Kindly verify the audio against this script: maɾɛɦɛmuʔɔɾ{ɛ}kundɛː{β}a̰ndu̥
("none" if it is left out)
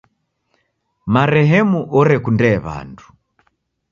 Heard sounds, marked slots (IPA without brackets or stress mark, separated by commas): ɛ, β